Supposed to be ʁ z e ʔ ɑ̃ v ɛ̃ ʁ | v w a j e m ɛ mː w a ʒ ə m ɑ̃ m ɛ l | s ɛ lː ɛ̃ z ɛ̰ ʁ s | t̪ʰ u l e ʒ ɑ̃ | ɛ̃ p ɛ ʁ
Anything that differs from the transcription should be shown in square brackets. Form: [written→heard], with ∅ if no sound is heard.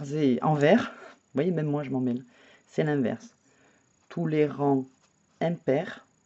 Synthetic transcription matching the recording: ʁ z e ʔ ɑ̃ v [ɛ̃→ɛ] ʁ | v w a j e m ɛ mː w a ʒ ə m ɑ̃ m ɛ l | s ɛ [lː→l] ɛ̃ [z→v] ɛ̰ ʁ s | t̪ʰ u l e [ʒ→ʁ] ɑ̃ | ɛ̃ p ɛ ʁ